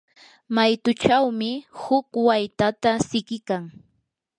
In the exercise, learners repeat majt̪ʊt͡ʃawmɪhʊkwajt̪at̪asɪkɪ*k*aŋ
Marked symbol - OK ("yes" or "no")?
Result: yes